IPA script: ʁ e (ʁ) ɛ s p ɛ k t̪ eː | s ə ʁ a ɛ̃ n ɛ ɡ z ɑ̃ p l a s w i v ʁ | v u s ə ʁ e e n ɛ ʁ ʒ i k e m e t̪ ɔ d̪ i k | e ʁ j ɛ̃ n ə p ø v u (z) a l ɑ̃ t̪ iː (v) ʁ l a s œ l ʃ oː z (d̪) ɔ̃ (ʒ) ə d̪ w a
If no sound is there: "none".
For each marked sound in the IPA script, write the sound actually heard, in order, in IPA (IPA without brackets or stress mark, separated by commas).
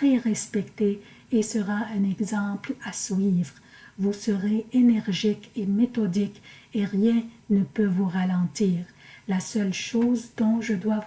ʁ, ʁ, none, d̪, ʒ